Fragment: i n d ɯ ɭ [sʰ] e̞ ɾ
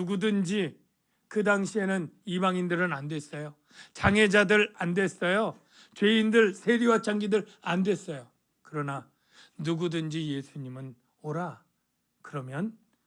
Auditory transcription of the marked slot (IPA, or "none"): sʰ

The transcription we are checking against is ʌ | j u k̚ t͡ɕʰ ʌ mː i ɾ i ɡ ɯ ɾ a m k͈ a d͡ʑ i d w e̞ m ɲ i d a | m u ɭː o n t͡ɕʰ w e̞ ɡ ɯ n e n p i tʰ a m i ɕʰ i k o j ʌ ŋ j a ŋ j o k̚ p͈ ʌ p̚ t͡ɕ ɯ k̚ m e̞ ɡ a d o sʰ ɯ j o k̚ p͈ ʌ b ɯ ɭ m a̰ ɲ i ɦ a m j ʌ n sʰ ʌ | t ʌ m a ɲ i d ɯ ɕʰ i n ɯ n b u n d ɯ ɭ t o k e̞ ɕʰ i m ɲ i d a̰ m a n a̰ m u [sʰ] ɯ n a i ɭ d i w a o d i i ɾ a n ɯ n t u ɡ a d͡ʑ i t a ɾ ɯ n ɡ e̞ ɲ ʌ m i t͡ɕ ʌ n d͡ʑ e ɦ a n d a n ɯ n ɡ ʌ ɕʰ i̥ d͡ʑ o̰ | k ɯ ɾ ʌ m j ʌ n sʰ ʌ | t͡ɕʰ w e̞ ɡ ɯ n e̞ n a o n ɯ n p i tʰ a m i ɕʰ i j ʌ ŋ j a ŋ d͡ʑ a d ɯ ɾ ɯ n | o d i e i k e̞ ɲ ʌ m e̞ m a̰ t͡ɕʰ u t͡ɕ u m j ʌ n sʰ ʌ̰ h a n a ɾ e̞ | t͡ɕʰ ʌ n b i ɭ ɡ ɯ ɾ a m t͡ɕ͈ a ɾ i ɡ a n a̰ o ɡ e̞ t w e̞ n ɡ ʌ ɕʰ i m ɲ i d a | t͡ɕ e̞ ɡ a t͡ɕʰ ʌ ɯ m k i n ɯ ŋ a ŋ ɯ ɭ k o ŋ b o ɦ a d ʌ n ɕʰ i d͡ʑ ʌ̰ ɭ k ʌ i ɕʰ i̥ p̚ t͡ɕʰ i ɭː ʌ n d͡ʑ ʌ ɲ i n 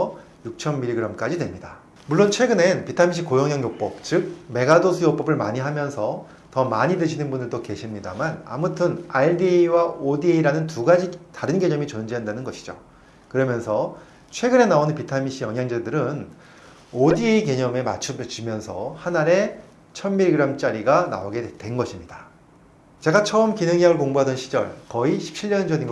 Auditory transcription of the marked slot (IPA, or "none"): tʰ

